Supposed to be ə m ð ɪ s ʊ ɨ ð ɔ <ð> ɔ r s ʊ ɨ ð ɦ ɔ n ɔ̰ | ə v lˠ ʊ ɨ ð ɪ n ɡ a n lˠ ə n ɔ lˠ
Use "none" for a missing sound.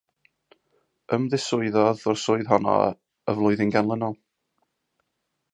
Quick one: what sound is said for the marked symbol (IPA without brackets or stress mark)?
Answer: ð